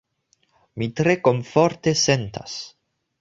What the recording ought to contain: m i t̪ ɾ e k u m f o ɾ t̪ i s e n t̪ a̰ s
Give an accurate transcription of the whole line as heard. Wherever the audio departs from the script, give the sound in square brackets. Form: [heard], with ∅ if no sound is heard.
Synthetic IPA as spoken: m i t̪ ɾ e k [o] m f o ɾ t̪ [e] s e n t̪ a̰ s